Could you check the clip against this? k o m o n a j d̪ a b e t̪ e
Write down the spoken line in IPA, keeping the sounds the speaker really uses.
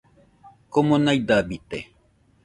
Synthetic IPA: k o m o n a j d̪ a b i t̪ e